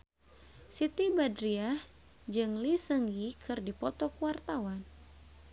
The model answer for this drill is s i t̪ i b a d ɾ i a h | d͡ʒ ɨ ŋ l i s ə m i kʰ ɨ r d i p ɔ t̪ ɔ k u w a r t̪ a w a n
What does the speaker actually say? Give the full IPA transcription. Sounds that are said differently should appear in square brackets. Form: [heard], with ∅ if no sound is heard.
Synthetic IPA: s i t̪ i b a d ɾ i a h | d͡ʒ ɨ ŋ l i s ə [ŋ] i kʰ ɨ r d i p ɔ t̪ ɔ k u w a r t̪ a w a n